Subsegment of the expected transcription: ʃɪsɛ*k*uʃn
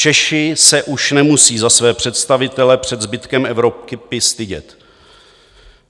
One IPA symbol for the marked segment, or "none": ʔ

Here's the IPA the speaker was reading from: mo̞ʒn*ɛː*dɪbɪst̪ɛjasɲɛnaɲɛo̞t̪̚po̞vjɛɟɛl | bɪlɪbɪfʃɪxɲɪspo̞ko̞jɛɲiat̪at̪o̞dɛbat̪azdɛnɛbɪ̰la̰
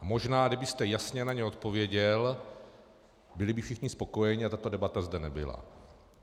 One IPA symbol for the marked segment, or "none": aː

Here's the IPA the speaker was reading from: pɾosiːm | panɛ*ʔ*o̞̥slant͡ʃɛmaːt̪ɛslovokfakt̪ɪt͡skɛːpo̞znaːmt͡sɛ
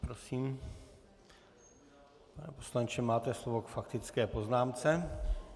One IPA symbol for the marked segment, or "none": p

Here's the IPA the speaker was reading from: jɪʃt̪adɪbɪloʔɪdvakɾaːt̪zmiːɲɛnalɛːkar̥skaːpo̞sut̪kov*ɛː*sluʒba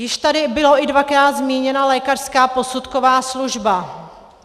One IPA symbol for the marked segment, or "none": aː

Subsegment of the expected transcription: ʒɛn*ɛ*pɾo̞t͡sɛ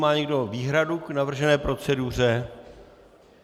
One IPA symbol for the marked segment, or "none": ɛː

